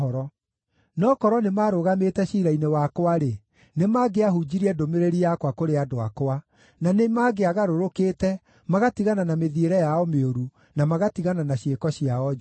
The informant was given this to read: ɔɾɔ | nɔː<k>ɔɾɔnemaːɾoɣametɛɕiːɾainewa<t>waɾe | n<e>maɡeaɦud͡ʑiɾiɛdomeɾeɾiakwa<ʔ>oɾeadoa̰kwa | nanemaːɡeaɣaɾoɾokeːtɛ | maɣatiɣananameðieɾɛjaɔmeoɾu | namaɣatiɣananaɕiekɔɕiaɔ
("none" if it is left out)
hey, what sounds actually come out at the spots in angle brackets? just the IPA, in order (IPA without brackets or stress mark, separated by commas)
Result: k, k, e, k